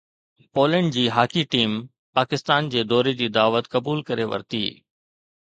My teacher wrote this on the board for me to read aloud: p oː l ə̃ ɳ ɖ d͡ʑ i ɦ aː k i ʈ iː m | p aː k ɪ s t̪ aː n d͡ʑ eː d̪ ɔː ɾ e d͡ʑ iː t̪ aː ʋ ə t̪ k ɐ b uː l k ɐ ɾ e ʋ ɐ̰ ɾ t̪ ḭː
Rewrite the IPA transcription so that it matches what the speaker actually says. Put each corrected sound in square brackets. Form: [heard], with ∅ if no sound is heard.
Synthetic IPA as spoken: p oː l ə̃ ɳ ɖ d͡ʑ [iː] ɦ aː k i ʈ iː m | p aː k ɪ s t̪ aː n d͡ʑ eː d̪ ɔː ɾ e d͡ʑ iː [d̪] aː ʋ ə t̪ k ɐ b uː l k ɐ ɾ e ʋ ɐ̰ ɾ t̪ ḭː